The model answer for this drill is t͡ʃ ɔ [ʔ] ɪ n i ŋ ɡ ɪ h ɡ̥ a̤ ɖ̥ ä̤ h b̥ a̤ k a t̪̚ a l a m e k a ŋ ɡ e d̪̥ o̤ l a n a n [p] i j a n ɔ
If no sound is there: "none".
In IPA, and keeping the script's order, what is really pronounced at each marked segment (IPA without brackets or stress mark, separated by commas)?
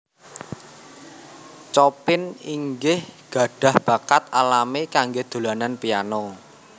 p, p